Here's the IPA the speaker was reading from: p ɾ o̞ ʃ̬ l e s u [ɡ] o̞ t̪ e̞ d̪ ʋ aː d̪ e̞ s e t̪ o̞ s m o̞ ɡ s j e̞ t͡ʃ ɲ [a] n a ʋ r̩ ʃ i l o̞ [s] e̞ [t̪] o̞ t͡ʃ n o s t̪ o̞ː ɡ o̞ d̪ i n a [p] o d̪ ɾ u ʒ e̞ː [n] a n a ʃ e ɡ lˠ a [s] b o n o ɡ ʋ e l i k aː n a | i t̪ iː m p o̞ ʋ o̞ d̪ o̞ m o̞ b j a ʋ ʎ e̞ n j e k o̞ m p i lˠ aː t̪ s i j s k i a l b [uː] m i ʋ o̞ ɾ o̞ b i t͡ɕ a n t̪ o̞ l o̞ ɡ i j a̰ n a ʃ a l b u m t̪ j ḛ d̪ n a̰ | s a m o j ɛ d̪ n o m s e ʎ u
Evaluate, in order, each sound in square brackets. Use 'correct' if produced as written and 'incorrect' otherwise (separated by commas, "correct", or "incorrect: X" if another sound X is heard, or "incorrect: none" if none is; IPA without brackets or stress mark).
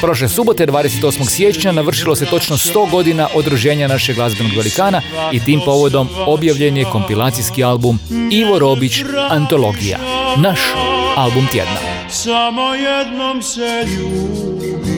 incorrect: b, correct, correct, correct, incorrect: ʔ, incorrect: ɲ, incorrect: z, incorrect: u